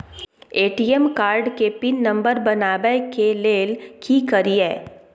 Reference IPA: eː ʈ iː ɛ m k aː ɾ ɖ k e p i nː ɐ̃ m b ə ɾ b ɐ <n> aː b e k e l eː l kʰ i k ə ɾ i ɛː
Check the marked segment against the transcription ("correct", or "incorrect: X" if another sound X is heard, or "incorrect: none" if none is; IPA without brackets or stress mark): correct